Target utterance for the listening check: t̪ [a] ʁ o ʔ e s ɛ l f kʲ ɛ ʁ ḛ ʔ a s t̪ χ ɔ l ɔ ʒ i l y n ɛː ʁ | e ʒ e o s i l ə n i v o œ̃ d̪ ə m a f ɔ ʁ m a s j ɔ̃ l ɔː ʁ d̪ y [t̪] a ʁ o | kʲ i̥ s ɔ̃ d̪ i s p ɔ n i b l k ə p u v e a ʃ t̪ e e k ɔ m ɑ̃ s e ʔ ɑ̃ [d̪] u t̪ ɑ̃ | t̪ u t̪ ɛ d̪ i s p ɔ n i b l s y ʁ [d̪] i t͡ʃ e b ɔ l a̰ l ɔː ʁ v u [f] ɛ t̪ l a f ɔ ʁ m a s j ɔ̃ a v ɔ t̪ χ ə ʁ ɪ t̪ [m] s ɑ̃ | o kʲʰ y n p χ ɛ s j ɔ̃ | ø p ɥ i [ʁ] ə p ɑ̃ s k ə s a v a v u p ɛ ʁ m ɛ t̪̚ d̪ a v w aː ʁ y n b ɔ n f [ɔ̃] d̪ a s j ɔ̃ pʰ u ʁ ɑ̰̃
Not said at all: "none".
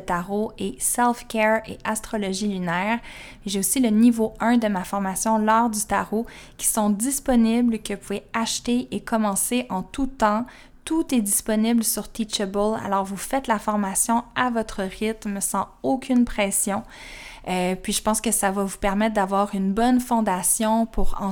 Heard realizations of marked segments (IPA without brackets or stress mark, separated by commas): a, t̪, t̪, t̪, f, m, ʒ, ɔ̃